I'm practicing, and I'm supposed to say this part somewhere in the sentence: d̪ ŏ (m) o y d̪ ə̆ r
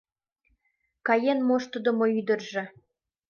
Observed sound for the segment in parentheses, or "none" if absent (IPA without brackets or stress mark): m